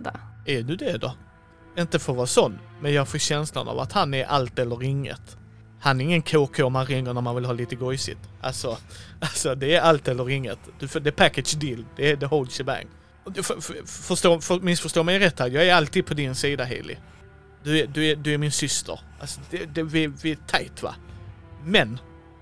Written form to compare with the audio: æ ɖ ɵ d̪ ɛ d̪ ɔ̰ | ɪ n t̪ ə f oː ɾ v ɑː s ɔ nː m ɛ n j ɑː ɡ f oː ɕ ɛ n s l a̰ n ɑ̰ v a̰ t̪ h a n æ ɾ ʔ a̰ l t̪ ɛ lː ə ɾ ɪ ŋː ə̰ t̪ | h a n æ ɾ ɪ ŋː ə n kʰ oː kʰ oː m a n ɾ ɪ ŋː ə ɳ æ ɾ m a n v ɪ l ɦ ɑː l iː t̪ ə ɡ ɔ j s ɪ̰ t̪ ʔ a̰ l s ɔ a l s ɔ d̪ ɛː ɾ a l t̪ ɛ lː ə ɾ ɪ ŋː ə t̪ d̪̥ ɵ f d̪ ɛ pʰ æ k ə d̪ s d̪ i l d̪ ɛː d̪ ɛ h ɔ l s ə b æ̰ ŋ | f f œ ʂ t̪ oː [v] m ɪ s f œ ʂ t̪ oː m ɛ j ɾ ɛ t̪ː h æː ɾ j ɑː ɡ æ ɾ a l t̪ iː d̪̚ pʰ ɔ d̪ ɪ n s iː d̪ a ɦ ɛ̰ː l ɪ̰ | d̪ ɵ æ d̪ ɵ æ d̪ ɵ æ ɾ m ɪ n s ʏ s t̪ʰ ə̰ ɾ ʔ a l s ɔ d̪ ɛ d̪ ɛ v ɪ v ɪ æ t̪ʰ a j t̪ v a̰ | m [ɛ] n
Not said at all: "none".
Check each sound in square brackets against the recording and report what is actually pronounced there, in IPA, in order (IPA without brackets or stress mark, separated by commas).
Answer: f, ɛ